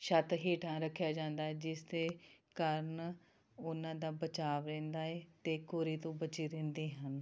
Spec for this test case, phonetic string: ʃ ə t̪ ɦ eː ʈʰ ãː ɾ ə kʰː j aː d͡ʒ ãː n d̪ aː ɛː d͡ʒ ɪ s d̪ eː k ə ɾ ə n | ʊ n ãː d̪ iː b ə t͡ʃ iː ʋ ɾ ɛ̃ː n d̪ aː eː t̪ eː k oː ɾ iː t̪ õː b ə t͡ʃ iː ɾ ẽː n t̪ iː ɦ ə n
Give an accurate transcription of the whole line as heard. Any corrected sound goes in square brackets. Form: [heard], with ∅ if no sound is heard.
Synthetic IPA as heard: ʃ ə t̪ ɦ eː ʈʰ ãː ɾ ə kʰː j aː d͡ʒ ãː n d̪ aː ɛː d͡ʒ ɪ s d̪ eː k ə ɾ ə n | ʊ n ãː d̪ [aː] b ə t͡ʃ [aː] ʋ ɾ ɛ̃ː n d̪ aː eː t̪ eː k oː ɾ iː t̪ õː b ə t͡ʃ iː ɾ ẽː n [d̪] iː ɦ ə n

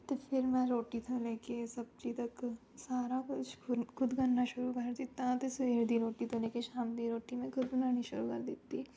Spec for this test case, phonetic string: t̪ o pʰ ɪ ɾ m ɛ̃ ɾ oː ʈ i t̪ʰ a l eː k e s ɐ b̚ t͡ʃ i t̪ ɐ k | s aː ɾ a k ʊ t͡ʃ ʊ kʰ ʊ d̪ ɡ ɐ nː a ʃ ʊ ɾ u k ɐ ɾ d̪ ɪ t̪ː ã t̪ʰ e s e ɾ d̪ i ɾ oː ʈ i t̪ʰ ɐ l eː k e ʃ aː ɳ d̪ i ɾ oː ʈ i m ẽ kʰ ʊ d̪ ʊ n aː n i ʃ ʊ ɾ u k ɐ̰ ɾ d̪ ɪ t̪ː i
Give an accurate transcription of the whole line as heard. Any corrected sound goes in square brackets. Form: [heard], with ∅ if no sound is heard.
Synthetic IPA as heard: t̪ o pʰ ɪ ɾ m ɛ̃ ɾ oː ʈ i t̪ʰ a l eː k e s ɐ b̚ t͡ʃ i t̪ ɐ k | s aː ɾ a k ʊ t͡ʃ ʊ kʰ ʊ d̪ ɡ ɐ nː a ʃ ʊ ɾ u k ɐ ɾ d̪ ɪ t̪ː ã [t̪] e s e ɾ d̪ i ɾ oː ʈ i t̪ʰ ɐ l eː k e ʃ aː [m] d̪ i ɾ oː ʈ i m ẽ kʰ ʊ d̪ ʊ n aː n i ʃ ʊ ɾ u k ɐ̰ ɾ d̪ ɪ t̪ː i

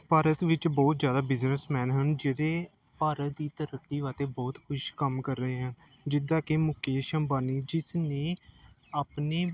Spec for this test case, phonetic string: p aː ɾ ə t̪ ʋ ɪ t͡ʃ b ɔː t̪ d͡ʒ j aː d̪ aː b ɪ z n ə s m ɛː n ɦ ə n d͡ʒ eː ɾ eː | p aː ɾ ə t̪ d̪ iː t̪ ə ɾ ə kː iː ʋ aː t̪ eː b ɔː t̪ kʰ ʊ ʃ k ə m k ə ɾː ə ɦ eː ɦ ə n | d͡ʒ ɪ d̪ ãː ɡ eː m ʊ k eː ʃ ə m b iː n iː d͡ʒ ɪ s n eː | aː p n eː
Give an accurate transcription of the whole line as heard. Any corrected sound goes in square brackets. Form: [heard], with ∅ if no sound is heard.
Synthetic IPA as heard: p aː ɾ ə t̪ ʋ ɪ t͡ʃ b ɔː t̪ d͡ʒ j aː d̪ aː b ɪ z n ə s m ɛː n ɦ ə n d͡ʒ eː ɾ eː | p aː ɾ ə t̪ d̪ iː t̪ ə ɾ ə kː iː ʋ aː t̪ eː b ɔː t̪ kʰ ʊ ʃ k ə m k ə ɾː ə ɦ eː ɦ ə n | d͡ʒ ɪ d̪ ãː [k] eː m ʊ k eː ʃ ə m b [aː] n iː d͡ʒ ɪ s n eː | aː p n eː

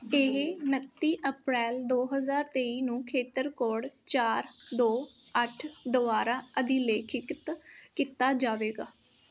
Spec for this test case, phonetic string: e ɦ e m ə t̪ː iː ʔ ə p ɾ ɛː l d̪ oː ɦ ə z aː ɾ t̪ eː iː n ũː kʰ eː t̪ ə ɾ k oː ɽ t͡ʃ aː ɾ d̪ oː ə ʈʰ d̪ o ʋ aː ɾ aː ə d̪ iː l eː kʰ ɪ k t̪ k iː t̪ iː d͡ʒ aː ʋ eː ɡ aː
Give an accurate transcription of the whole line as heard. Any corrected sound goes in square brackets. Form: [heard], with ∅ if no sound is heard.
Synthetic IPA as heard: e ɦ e [n] ə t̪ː iː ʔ ə p ɾ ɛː l d̪ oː ɦ ə z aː ɾ t̪ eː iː n ũː kʰ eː t̪ ə ɾ k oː ɽ t͡ʃ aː ɾ d̪ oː ə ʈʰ d̪ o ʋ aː ɾ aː ə d̪ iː l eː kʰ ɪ k t̪ k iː t̪ [aː] d͡ʒ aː ʋ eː ɡ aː

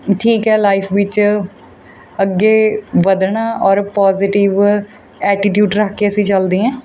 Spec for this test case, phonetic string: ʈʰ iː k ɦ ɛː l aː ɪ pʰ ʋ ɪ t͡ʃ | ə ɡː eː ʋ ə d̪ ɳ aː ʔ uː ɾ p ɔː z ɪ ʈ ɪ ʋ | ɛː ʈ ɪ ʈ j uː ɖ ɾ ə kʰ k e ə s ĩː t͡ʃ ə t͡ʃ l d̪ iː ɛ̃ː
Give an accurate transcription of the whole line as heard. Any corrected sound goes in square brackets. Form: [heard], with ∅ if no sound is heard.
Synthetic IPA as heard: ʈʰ iː k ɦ ɛː l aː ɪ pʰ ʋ ɪ t͡ʃ | ə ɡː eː ʋ ə d̪ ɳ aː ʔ [ɔː] ɾ p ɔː z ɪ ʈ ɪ ʋ | ɛː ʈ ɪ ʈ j uː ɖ ɾ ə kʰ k e ə s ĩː t͡ʃ ə [∅] l d̪ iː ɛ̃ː

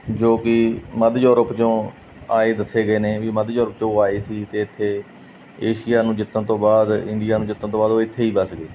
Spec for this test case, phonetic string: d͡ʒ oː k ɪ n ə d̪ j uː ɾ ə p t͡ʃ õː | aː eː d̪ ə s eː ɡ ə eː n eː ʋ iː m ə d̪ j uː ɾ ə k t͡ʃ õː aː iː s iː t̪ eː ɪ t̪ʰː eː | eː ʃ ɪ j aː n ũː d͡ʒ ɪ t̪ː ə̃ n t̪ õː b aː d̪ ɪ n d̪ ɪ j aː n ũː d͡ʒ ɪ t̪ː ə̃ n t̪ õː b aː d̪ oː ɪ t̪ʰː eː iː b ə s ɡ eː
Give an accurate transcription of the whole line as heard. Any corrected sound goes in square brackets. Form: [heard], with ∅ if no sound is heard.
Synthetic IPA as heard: d͡ʒ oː k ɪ [m] ə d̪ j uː ɾ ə p t͡ʃ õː | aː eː d̪ ə s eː ɡ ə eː n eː ʋ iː m ə d̪ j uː ɾ ə [p] t͡ʃ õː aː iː s iː t̪ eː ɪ t̪ʰː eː | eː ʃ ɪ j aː n ũː d͡ʒ ɪ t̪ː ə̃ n t̪ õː b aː d̪ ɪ n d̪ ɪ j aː n ũː d͡ʒ ɪ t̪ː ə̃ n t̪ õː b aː d̪ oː ɪ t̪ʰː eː iː b ə s ɡ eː

